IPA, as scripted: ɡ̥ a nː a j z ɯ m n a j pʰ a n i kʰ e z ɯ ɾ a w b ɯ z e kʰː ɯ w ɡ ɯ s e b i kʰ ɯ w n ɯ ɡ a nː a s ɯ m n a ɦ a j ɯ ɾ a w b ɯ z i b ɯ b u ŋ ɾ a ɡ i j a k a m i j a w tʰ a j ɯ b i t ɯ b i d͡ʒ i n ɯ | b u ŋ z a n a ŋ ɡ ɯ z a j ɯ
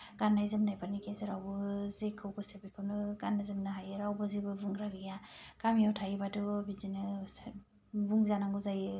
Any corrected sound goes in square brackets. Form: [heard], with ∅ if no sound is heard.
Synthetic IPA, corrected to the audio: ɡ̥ a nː a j z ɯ m n a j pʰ a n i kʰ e z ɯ ɾ a w b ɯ z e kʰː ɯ w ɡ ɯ s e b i kʰ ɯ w n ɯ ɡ a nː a [z] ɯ m n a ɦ a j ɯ ɾ a w b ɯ z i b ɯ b u ŋ ɾ a ɡ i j a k a m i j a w tʰ a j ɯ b [a] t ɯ b i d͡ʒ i n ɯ | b u ŋ z a n a ŋ ɡ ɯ z a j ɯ